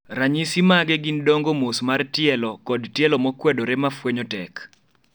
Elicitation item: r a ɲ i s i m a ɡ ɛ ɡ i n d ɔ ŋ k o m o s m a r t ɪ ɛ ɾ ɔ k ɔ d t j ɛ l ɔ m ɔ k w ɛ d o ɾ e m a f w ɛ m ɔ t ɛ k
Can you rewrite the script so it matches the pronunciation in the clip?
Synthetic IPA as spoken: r a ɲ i s i m a ɡ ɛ ɡ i n d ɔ ŋ ɡ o m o s m a r t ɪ ɛ l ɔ k ɔ d t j ɛ l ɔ m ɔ k w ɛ d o ɾ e m a f w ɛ ɲ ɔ t ɛ k